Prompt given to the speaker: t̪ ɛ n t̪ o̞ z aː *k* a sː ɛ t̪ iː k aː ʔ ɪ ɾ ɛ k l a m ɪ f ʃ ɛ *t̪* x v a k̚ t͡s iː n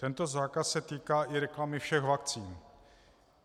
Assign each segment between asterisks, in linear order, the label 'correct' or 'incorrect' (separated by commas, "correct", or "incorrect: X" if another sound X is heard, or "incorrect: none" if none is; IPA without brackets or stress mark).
correct, incorrect: none